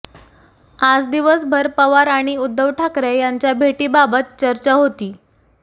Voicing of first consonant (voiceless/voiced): voiced